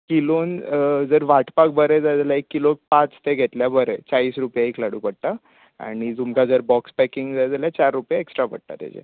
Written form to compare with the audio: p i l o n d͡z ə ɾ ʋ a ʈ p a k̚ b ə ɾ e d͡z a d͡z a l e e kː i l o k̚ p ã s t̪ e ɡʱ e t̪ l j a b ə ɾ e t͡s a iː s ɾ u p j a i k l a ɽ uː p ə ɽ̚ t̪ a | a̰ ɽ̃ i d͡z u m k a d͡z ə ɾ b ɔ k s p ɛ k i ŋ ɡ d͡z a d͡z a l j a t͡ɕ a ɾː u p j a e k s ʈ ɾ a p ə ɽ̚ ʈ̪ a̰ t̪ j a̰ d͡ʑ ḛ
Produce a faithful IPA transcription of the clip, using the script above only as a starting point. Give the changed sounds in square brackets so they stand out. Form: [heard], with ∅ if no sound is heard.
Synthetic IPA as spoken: [k] i l o n d͡z ə ɾ ʋ a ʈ p a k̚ b ə ɾ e d͡z a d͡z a l [a] e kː i l o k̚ p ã [t͡s] t̪ e ɡʱ e t̪ l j a b ə ɾ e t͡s a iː s ɾ u p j a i k l a ɽ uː p ə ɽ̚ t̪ a | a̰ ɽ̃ i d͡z u m k a d͡z ə ɾ b ɔ k s p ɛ k i ŋ ɡ d͡z a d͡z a l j a t͡ɕ a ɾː u p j a e k s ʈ ɾ a p ə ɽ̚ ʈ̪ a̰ t̪ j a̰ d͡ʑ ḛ